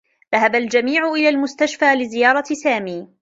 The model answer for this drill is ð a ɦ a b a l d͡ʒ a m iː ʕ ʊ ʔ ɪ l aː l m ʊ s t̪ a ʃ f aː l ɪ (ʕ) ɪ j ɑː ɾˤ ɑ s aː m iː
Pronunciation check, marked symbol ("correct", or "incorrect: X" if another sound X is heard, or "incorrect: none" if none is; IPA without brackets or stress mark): incorrect: z